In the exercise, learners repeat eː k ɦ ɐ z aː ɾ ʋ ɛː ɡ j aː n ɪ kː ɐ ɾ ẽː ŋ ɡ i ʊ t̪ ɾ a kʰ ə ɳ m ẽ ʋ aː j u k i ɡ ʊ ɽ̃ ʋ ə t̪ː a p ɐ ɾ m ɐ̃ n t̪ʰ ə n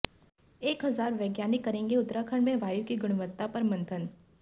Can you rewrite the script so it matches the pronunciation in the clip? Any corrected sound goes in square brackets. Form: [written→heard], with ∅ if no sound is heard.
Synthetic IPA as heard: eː k ɦ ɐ z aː ɾ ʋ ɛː ɡ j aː n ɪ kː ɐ ɾ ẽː ŋ ɡ [i→e] ʊ t̪ ɾ a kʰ ə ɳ m ẽ ʋ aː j u k i ɡ ʊ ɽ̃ ʋ ə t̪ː a p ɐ ɾ m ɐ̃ n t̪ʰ ə n

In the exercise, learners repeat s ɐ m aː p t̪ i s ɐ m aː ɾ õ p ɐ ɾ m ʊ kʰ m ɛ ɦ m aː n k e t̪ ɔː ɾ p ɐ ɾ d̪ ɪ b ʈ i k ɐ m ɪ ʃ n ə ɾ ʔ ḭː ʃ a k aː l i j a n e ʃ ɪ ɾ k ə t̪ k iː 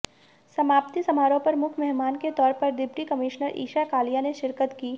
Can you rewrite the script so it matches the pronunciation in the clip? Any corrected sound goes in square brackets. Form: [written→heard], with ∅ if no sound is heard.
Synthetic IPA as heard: s ɐ m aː p t̪ i s ɐ m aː ɾ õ p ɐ ɾ m ʊ kʰ m ɛ ɦ m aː n k e t̪ ɔː ɾ p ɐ ɾ d̪ ɪ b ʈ i k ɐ m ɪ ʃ n ə ɾ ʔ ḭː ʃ a k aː l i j a n e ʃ ɪ ɾ k ə t̪ k iː

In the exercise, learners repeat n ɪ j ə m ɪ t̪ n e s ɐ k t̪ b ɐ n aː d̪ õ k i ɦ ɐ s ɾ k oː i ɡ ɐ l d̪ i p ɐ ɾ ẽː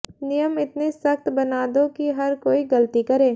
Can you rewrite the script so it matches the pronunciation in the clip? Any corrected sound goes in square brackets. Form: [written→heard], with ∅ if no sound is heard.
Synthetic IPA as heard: n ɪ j ə m ɪ t̪ n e s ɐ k t̪ b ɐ n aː d̪ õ k i ɦ ɐ [s→∅] ɾ k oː i ɡ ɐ l [d̪→t̪] i [p→k] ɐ ɾ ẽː

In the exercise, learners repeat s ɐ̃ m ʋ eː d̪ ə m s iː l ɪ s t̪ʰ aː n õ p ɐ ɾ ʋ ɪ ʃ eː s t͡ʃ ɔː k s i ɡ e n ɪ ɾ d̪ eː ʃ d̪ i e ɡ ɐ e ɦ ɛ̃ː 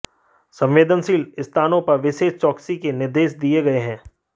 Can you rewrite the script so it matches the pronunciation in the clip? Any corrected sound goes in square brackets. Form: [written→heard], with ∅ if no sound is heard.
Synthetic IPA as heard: s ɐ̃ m ʋ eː d̪ ə [m→n] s iː l ɪ s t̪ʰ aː n õ p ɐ ɾ ʋ ɪ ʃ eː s t͡ʃ ɔː k s i [ɡ→k] e n ɪ ɾ d̪ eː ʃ d̪ i e ɡ ɐ e ɦ ɛ̃ː

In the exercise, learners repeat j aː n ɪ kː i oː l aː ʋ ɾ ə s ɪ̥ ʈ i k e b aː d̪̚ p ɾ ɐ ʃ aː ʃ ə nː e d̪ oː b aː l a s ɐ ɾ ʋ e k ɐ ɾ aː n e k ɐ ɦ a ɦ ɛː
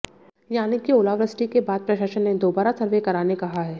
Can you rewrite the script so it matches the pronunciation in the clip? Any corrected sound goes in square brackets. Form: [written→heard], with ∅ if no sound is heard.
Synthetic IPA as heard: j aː n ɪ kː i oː l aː ʋ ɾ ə s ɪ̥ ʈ i k e b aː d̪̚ p ɾ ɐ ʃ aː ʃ ə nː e d̪ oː b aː [l→ɾ] a s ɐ ɾ ʋ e k ɐ ɾ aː n e k ɐ ɦ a ɦ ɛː

